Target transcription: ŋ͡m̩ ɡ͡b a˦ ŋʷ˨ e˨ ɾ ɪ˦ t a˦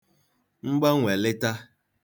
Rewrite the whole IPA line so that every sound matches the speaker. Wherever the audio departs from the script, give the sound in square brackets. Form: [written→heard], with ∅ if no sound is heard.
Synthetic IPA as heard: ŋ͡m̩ ɡ͡b a˦ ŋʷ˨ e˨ [ɾ→l] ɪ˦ t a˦